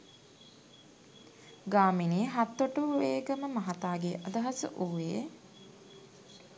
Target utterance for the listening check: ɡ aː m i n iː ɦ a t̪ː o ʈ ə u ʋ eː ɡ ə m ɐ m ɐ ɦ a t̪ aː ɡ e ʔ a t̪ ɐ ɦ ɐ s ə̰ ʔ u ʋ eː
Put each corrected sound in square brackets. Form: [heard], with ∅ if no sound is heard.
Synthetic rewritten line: ɡ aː m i n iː ɦ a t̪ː o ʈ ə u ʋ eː ɡ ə m [ə] m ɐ ɦ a t̪ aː ɡ e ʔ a [d̪] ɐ ɦ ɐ s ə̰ ʔ u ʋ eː